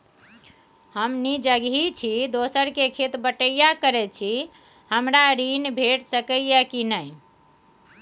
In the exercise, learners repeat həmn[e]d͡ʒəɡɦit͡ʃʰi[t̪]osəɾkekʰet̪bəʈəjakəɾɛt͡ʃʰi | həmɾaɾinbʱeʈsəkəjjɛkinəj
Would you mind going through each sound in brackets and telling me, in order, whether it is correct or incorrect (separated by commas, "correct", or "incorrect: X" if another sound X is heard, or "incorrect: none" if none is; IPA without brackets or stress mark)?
incorrect: i, incorrect: d̪